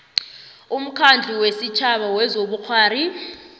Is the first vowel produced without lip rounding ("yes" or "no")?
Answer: no